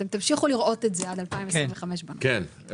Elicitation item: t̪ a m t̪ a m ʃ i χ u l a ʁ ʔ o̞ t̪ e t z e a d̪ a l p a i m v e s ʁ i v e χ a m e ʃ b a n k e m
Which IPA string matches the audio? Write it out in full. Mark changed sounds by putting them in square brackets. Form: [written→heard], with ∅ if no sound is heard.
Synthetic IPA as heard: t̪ [a→e] m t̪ a m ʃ i χ u l [a→i] ʁ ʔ o̞ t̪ e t z e a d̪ a l p a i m v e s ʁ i v e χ a m e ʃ b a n k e [m→n]